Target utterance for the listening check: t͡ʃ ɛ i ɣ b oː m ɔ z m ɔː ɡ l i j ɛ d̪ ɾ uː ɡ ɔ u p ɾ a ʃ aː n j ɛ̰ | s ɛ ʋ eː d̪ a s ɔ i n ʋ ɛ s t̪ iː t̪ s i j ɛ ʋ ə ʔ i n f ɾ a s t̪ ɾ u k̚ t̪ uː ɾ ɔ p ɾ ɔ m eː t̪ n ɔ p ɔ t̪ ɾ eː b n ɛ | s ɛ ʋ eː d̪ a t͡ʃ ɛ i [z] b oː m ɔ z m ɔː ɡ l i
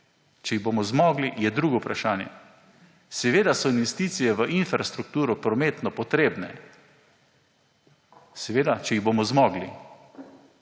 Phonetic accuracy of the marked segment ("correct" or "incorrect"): incorrect